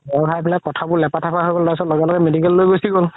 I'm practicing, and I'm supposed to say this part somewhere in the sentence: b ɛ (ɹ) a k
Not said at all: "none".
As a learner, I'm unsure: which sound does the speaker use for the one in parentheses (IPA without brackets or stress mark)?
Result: l